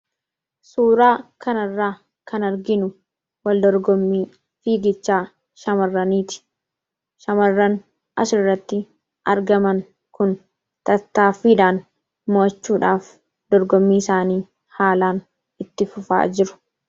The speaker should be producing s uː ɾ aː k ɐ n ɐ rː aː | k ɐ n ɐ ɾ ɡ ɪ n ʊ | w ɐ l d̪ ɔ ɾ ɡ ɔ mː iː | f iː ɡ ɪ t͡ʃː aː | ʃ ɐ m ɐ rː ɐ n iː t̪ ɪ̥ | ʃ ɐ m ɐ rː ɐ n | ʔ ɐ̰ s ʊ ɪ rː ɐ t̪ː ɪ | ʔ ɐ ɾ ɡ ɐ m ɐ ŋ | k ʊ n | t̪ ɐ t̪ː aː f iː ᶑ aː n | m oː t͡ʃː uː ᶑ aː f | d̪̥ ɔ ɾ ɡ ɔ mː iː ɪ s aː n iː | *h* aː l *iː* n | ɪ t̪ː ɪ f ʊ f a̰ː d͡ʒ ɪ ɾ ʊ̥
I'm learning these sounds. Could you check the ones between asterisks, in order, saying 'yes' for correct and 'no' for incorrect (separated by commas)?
yes, no